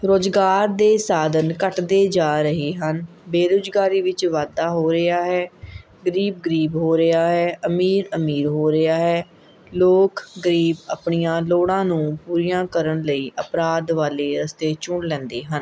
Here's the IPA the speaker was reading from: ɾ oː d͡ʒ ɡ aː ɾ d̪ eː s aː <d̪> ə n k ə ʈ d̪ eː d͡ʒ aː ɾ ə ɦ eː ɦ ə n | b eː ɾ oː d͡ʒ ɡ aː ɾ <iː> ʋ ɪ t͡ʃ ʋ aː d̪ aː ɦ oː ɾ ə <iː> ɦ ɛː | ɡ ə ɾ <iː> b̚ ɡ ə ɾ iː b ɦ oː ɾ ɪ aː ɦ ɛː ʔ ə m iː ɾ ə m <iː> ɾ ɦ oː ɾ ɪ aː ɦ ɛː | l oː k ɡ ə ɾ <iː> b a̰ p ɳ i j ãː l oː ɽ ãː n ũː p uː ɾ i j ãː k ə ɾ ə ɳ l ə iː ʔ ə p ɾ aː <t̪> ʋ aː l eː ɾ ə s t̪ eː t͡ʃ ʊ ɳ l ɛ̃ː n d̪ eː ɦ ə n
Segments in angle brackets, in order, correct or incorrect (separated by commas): correct, correct, incorrect, correct, correct, correct, incorrect